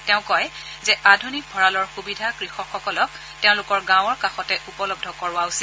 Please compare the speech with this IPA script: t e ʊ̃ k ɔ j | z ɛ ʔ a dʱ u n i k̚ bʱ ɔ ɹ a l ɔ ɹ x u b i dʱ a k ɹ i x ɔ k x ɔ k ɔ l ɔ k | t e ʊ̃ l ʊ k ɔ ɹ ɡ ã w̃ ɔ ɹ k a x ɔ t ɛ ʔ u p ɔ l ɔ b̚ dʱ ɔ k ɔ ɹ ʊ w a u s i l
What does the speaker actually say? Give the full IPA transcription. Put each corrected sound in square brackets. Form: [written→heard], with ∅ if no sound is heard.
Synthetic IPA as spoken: t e ʊ̃ k ɔ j | z ɛ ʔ a dʱ u n i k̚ bʱ ɔ ɹ a l ɔ ɹ x u b i dʱ a k ɹ i x ɔ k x ɔ k ɔ l ɔ k | t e ʊ̃ l ʊ k ɔ ɹ ɡ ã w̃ ɔ ɹ k a x ɔ t ɛ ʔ u p ɔ l ɔ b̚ dʱ ɔ k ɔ ɹ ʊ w a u s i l

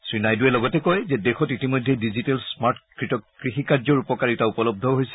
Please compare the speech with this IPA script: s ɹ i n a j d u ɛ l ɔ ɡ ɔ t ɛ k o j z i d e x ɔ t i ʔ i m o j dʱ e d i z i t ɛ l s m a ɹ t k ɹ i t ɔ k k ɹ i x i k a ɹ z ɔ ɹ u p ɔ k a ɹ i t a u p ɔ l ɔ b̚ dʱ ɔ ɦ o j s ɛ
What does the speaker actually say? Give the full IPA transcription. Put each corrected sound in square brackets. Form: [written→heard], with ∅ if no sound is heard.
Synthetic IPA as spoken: s ɹ i n a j d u ɛ l ɔ ɡ ɔ t ɛ k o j z [i→ɛ] d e x ɔ t i [ʔ→t] i m o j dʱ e d i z i t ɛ l s m a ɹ t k ɹ i t ɔ k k ɹ i x i k a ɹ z ɔ ɹ u p ɔ k a ɹ i t a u p ɔ l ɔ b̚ dʱ ɔ ɦ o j s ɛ

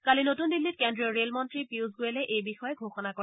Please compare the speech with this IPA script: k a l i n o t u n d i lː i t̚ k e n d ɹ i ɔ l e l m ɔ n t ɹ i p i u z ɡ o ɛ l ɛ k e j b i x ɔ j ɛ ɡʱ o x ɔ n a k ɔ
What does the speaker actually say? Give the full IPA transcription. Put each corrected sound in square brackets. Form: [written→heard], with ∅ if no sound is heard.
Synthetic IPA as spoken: k a l i n o t u n d i lː i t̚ k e n d ɹ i ɔ [l→ɹ] e l m ɔ n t ɹ i p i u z ɡ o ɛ l ɛ [k→ʔ] e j b i x ɔ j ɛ ɡʱ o x ɔ n a k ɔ

